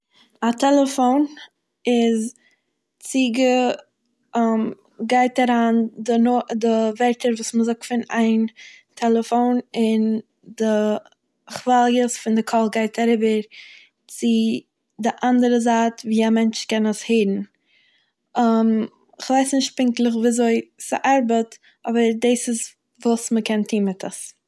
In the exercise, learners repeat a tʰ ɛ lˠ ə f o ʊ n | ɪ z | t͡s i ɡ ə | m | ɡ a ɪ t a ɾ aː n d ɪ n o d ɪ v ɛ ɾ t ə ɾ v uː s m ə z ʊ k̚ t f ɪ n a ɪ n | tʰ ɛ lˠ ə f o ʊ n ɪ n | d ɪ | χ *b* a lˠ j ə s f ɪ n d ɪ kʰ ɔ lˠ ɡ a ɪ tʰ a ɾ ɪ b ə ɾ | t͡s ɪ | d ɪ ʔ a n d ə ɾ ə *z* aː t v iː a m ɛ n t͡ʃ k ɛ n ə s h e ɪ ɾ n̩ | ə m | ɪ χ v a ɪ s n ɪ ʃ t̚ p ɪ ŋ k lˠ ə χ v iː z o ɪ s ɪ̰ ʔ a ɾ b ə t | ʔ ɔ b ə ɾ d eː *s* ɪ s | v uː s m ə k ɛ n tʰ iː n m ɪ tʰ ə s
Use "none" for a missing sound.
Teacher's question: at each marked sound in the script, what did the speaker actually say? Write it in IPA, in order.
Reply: v, z, s

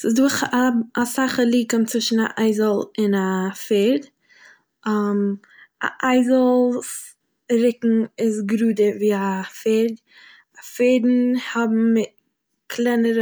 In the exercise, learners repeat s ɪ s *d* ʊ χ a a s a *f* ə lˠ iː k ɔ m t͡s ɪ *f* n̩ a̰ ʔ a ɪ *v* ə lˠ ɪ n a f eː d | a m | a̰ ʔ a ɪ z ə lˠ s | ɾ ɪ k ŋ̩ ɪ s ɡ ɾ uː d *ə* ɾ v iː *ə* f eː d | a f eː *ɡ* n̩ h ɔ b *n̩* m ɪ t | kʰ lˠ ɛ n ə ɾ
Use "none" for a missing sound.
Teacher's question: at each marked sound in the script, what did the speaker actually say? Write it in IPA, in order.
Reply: d, χ, ʃ, z, ə, a, d, m̩

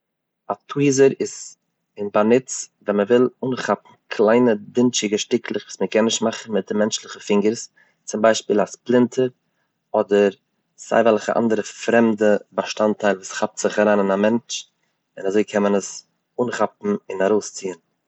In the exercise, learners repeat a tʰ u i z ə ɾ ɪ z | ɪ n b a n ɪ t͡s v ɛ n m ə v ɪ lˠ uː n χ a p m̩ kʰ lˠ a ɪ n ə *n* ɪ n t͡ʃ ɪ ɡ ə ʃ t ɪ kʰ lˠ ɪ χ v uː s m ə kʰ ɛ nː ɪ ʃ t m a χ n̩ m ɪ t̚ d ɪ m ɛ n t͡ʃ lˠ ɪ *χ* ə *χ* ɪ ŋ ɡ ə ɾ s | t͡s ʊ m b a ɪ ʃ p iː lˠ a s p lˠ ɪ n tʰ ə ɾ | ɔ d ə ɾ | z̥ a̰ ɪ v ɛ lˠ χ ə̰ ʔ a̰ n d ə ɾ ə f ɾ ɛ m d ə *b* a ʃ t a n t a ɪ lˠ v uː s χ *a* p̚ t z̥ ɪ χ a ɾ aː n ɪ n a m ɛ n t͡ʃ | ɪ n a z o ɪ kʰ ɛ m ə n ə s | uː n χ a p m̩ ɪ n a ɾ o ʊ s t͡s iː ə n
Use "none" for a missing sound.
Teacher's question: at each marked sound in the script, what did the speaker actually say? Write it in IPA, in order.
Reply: d, χ, f, b, a

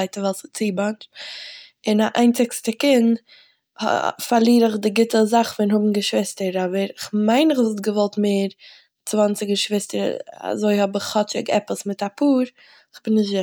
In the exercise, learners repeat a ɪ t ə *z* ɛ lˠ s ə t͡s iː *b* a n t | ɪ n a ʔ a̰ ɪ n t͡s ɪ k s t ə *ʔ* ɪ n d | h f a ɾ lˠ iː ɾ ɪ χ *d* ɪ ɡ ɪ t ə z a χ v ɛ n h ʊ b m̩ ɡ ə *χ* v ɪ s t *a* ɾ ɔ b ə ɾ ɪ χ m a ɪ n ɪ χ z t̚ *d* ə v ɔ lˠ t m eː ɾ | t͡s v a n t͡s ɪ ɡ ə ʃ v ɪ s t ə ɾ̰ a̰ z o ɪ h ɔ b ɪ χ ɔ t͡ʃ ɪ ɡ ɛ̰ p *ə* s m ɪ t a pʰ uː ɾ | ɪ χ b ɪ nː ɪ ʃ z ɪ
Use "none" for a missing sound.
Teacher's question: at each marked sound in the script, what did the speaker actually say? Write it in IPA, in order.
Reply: v, b, k, d, ʃ, ə, ɡ, ə

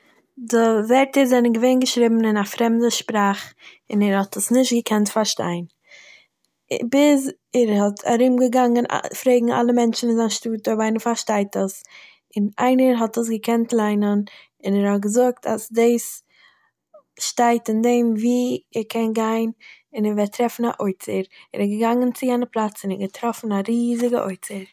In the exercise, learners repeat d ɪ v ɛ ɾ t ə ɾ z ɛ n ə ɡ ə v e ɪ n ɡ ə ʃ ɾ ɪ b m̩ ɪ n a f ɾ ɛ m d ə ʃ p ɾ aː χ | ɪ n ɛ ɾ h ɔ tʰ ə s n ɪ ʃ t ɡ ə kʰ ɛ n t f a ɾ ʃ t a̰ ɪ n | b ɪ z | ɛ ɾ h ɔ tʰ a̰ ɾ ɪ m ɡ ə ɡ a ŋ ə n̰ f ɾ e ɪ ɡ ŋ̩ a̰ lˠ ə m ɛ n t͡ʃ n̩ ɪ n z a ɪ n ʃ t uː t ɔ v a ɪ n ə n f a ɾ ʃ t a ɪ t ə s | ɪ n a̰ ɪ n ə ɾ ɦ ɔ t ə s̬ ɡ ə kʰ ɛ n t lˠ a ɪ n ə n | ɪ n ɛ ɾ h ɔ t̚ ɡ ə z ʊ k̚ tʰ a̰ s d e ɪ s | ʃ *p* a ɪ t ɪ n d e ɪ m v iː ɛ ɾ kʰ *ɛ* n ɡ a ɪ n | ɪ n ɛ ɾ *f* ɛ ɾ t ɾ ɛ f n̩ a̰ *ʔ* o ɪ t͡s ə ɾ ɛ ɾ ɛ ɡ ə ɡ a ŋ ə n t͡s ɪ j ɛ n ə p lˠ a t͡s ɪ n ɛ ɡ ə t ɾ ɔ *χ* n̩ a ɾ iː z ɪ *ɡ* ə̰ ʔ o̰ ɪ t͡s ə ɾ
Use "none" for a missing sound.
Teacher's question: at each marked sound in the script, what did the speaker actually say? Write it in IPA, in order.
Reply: t, ɛ, v, ʔ, f, ɡ

